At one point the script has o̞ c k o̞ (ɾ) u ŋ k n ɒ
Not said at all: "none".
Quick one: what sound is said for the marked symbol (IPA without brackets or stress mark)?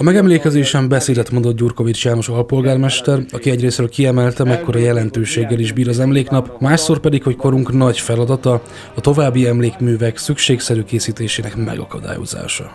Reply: ɾ